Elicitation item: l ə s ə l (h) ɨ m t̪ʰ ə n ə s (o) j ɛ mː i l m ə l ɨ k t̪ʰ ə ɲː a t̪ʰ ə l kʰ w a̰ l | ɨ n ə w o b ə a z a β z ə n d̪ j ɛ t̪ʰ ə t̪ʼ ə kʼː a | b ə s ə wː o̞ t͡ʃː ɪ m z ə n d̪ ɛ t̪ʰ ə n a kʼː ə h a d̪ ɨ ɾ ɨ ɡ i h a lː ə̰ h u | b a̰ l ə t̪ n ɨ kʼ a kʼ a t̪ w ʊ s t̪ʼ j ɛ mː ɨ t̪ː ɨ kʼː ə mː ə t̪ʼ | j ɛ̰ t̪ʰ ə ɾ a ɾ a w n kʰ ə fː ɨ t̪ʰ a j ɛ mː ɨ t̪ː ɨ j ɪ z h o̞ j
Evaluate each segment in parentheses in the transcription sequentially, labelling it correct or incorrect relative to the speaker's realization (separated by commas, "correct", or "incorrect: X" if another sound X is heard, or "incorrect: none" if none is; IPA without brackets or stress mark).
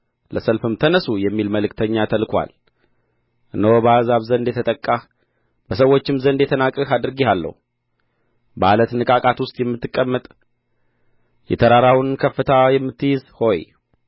incorrect: f, incorrect: u